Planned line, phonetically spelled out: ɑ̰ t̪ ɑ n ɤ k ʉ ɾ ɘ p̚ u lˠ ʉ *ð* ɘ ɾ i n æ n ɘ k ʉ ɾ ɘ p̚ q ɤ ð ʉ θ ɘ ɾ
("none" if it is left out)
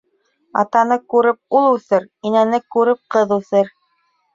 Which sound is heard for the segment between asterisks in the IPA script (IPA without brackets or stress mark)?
θ